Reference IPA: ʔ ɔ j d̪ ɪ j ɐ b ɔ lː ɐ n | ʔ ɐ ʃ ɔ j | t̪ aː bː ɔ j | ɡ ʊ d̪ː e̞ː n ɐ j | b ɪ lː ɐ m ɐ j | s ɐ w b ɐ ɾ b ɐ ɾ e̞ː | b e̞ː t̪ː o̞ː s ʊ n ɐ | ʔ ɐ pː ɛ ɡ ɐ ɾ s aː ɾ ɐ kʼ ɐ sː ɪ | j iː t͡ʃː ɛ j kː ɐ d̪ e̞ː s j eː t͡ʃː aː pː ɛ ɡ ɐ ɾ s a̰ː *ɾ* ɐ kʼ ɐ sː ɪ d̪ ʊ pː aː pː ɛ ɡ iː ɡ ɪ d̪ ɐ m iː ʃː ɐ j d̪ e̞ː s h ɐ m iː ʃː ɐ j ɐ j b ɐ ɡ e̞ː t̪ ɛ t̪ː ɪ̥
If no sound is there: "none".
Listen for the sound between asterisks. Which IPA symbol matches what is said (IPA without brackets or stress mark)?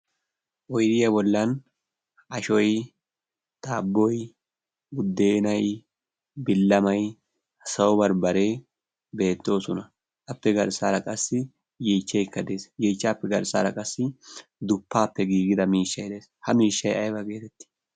ɾ